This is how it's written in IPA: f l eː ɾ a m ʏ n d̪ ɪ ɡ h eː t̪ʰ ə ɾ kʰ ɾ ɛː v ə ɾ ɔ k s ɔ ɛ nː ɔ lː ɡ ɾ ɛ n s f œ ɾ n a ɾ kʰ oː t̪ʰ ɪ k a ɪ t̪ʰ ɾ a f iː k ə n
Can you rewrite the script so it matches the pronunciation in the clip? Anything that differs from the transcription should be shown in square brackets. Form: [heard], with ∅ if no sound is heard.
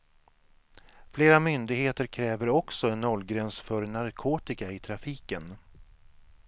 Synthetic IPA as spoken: f l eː ɾ a m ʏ n d̪ ɪ ɡ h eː [t̪] ə ɾ kʰ ɾ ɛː v ə ɾ ɔ k s ɔ ɛ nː ɔ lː ɡ ɾ ɛ n s f œ ɾ n a ɾ kʰ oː [t̪] ɪ k a ɪ t̪ʰ ɾ a f iː k ə n

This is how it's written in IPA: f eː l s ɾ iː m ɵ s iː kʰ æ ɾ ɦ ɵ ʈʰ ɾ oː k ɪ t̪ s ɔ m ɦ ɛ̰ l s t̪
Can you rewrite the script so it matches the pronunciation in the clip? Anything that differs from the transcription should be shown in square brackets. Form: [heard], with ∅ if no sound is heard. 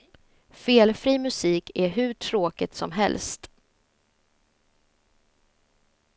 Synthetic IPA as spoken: f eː l [f] ɾ iː m ɵ s iː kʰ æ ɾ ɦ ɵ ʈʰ ɾ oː k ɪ t̪ s ɔ m ɦ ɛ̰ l s t̪

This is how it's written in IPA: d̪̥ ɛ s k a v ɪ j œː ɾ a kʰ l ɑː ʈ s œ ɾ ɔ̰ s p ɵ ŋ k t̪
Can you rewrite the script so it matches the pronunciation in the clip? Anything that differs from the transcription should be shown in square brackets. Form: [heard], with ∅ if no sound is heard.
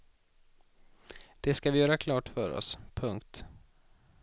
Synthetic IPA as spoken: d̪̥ ɛ s k a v ɪ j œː ɾ a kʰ l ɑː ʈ [f] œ ɾ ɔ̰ s [pʰ] ɵ ŋ k t̪

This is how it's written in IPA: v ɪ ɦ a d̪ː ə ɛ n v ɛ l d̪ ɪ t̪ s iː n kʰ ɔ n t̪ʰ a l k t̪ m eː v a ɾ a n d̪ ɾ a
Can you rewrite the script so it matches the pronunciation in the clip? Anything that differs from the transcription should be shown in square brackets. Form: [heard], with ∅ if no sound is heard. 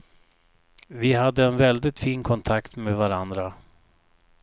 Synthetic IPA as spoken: v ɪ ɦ a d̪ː ə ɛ n v ɛ l d̪ ɪ t̪ [f] iː n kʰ ɔ n t̪ʰ a [∅] k t̪ m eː v a ɾ a n d̪ ɾ a

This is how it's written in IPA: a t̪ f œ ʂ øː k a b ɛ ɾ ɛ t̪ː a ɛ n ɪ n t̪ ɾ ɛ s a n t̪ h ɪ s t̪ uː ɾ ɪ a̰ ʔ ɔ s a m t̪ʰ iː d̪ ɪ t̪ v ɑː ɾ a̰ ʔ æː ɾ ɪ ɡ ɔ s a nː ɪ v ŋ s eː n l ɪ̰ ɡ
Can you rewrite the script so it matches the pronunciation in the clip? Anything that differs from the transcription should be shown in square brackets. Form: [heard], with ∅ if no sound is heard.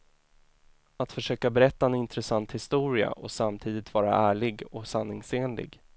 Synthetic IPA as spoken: a t̪ f œ ʂ øː k a b ɛ ɾ ɛ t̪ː a ɛ n ɪ n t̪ ɾ ɛ s a n t̪ h ɪ s t̪ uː ɾ ɪ a̰ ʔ ɔ s a m t̪ʰ iː d̪ ɪ t̪ v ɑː ɾ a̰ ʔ æː [ɭ] ɪ ɡ ɔ s a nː ɪ [∅] ŋ s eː n l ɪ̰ ɡ

